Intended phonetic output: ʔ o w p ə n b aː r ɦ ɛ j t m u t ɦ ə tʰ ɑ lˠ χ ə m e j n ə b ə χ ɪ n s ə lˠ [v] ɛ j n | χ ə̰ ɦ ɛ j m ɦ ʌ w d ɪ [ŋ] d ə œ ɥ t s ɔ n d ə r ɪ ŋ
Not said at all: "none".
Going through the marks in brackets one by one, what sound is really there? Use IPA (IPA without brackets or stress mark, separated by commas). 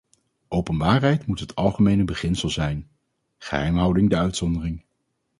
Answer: z, ŋ